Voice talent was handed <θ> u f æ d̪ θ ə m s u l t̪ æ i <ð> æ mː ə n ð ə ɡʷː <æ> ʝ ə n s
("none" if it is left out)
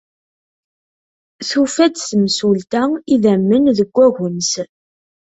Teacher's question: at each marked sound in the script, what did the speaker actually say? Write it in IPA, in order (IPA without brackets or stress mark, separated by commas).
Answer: θ, ð, æ